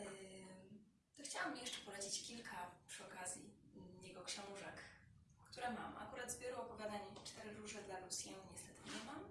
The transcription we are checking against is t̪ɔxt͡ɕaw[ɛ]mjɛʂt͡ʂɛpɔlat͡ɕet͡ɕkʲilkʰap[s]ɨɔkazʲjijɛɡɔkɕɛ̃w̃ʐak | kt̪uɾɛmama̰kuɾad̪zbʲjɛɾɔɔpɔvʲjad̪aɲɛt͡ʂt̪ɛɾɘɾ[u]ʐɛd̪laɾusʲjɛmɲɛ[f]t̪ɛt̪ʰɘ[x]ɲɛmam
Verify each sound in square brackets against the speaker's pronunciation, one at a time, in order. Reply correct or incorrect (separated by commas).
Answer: incorrect, incorrect, correct, incorrect, incorrect